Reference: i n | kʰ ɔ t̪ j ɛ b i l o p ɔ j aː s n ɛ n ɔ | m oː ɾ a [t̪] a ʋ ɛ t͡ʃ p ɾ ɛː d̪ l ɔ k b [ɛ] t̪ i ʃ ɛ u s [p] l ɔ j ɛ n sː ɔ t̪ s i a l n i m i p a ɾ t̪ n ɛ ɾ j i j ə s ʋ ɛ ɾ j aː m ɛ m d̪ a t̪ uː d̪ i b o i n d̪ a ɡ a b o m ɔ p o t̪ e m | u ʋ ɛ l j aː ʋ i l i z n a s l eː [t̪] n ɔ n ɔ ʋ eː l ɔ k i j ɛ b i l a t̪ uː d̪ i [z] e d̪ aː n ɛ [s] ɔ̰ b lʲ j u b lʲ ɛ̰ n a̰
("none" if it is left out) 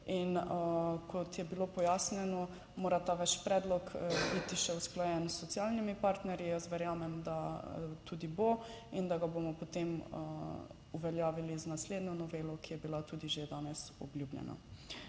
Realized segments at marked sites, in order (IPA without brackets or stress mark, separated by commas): t̪, i, k, d̪, ʒ, s